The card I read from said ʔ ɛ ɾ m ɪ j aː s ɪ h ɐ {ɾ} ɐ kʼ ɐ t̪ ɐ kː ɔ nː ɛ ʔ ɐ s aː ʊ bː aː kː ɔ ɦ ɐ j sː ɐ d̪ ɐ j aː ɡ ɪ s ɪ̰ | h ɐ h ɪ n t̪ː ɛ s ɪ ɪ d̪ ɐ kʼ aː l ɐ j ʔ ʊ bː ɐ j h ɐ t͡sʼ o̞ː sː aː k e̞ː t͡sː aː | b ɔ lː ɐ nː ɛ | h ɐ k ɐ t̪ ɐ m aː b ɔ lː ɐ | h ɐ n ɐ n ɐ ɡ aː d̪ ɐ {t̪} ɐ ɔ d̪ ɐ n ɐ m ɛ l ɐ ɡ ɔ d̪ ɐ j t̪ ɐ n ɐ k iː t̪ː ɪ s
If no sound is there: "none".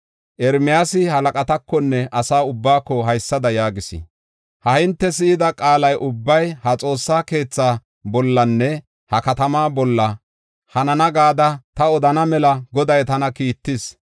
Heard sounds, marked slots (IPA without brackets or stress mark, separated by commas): l, t̪